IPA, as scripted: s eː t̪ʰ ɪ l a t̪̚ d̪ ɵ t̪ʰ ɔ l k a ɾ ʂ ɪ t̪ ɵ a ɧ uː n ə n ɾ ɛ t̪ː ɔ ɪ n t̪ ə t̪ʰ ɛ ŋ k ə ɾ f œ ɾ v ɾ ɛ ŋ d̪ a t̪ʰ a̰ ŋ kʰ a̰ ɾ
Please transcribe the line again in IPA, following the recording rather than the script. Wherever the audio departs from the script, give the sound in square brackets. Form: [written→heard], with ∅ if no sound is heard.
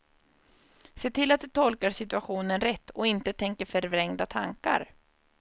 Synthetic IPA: s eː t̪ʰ ɪ l a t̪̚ d̪ ɵ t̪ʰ ɔ l k a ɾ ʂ ɪ t̪ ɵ a ɧ uː n ə n ɾ ɛ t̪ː ɔ ɪ n t̪ ə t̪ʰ ɛ ŋ k ə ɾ f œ ɾ v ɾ ɛ ŋ d̪ a t̪ʰ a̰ ŋ [kʰ→k] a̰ ɾ